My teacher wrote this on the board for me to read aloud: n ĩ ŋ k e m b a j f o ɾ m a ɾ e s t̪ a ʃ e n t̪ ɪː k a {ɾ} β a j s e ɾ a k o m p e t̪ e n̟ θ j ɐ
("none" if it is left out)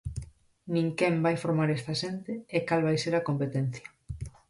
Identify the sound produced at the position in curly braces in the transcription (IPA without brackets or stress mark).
l